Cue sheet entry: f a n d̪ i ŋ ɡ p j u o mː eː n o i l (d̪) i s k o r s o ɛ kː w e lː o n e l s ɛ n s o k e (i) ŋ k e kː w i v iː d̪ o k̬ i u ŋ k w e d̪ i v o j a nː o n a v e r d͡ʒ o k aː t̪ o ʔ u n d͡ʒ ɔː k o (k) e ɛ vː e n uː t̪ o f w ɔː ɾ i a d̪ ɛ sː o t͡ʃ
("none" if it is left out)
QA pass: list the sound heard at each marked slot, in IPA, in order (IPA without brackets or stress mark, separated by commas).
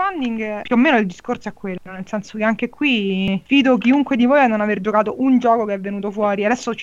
d̪, a, k